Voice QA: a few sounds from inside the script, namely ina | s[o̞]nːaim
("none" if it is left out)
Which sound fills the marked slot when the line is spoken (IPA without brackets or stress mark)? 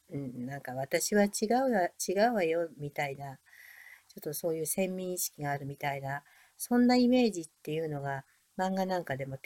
õ̞